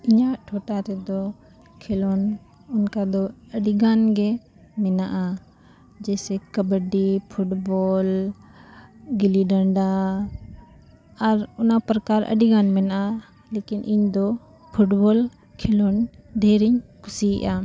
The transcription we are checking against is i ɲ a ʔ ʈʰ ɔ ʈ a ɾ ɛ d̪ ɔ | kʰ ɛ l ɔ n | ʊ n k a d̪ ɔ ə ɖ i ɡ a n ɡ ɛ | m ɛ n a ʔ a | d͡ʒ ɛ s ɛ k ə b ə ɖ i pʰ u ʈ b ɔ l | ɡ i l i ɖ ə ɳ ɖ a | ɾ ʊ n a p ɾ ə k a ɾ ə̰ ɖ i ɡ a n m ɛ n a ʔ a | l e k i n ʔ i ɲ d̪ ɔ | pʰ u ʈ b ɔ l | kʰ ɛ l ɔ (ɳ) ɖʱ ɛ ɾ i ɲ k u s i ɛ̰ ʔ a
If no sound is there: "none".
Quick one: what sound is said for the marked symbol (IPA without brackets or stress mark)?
n